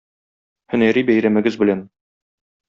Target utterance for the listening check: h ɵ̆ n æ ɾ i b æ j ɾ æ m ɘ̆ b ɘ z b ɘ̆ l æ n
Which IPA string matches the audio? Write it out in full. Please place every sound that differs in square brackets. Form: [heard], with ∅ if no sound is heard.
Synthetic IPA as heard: h ɵ̆ n æ ɾ i b æ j ɾ æ m ɘ̆ [ɡ] ɘ z b ɘ̆ l æ n